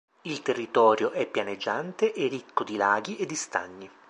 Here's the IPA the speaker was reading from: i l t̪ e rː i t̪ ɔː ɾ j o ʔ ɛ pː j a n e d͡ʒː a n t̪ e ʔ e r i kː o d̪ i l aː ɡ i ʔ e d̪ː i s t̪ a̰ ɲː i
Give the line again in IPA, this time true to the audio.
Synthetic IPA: i l t̪ e rː i t̪ ɔː ɾ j o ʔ ɛ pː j a n e d͡ʒː a n t̪ e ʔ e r i kː o d̪ i l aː ɡ i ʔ e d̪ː i s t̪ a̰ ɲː i